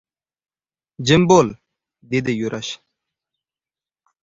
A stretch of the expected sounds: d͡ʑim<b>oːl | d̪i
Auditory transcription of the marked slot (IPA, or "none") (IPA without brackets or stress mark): b